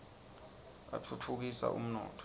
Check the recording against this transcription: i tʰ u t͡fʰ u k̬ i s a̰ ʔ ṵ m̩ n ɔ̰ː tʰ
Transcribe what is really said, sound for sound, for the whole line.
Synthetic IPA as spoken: a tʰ u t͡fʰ u k̬ i s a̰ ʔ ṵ m̩ n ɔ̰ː tʰ